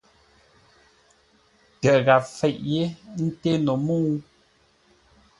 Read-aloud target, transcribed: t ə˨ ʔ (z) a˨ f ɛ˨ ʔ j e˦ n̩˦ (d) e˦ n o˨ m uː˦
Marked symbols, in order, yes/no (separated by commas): no, no